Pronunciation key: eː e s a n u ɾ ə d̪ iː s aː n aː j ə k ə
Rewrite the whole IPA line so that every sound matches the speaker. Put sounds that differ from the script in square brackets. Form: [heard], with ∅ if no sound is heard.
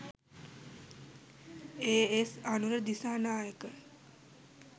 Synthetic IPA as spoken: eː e s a n u ɾ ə d̪ [i] s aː n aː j ə k ə